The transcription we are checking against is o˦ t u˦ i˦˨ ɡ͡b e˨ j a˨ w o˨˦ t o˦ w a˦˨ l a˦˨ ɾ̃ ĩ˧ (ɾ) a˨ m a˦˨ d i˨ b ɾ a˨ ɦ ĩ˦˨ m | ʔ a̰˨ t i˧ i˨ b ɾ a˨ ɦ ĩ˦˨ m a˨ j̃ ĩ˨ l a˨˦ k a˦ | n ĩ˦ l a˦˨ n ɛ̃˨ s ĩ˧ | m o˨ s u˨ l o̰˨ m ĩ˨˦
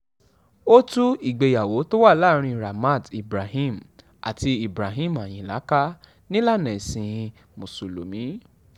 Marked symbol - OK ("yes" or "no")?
yes